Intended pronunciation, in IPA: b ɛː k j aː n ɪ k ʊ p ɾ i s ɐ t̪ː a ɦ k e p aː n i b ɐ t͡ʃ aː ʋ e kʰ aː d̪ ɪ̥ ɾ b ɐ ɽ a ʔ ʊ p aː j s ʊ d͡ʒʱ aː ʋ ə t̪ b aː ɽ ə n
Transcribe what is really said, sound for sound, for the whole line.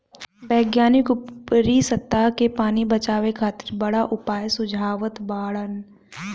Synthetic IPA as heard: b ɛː ɡ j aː n ɪ k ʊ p ɾ i s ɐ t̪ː a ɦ k e p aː n i b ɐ t͡ʃ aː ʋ e kʰ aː t̪ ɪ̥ ɾ b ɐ ɽ a ʔ ʊ p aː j s ʊ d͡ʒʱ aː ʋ ə t̪ b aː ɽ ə n